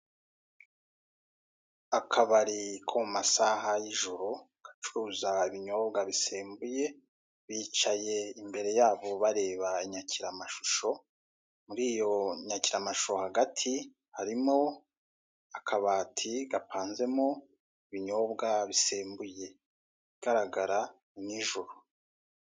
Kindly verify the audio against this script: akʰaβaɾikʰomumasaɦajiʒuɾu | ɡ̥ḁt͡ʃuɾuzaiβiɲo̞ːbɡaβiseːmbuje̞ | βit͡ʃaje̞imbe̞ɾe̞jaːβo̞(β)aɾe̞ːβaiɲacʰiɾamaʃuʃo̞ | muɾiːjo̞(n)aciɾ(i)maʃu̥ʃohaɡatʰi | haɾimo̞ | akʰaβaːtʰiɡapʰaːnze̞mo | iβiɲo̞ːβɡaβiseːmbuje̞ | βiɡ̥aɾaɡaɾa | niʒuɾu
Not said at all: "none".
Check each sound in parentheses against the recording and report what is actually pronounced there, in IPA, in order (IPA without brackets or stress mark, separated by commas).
β, ɲ, a